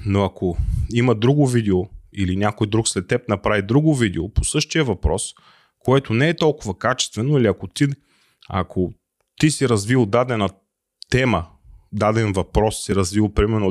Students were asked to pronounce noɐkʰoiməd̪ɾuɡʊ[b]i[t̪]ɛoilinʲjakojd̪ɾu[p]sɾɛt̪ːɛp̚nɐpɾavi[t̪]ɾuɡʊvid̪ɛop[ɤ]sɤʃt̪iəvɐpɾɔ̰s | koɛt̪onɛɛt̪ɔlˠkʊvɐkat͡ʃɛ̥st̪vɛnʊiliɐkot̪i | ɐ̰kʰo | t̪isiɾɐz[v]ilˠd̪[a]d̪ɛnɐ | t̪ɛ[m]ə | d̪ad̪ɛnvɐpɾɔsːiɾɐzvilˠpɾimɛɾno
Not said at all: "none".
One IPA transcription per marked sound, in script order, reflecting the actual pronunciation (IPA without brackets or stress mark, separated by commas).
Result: v, d̪, k, d̪, o, v, a, m